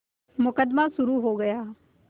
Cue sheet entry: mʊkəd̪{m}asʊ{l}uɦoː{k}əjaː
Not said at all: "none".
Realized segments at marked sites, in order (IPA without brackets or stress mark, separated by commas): m, ɾ, ɡ